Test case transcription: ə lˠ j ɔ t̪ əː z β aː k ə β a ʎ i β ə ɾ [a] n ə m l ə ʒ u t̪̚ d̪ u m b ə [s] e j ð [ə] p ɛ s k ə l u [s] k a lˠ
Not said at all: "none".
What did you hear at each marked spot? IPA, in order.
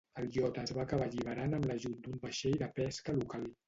a, ʃ, ə, none

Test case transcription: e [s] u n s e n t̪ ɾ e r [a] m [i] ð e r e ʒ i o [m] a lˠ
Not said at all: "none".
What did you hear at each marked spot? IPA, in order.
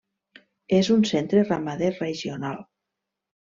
z, a, a, n

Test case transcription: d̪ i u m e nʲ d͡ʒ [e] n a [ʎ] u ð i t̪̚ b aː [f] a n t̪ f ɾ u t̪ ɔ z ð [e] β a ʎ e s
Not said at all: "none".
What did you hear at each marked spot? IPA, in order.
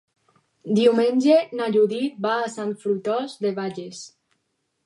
e, ʎ, s, e

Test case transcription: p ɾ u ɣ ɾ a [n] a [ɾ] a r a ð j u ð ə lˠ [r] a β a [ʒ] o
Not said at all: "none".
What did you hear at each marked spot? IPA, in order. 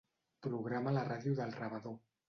m, l, r, ð

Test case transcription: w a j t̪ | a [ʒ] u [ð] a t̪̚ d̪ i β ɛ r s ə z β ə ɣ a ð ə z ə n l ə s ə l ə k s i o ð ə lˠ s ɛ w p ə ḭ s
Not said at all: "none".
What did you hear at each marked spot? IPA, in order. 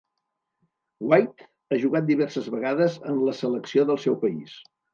ʒ, ɣ

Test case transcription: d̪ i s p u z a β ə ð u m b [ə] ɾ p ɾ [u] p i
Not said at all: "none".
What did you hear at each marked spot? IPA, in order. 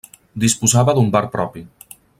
a, ɔ

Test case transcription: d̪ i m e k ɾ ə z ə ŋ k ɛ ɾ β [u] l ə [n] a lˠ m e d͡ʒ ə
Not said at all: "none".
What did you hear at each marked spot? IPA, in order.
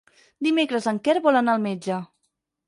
ɔ, n

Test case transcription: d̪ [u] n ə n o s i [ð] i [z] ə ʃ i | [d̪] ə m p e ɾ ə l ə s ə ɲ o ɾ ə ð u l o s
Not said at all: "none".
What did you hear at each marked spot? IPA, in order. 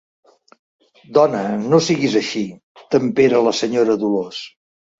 ɔ, ɣ, z, t̪

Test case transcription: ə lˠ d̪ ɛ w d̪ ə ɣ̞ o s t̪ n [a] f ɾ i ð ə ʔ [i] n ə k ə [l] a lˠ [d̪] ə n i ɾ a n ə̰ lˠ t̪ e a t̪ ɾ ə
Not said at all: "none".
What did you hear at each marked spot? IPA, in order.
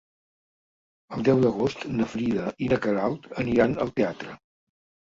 ə, i, ɾ, t̪

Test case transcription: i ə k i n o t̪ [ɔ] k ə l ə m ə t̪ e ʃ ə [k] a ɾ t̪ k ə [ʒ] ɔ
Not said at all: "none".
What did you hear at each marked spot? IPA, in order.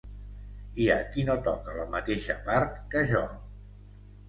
ɔ, p, ʒ

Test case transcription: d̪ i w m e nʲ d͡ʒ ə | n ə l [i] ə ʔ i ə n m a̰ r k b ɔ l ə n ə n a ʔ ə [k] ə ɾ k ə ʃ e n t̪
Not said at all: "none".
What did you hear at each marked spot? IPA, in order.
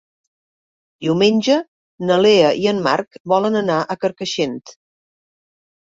e, k

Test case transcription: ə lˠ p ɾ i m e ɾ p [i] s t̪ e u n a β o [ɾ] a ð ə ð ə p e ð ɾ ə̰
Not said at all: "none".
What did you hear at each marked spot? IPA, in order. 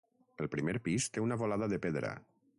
i, l

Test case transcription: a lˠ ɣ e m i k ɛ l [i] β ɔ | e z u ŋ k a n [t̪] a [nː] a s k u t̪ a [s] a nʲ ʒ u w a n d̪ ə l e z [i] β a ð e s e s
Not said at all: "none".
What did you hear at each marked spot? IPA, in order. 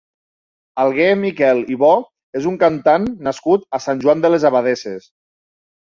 i, t̪, nː, s, a

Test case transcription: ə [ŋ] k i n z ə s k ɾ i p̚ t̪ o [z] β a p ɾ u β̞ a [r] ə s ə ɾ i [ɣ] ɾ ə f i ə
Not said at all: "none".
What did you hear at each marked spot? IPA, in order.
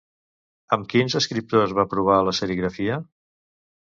m, z, l, ɣ

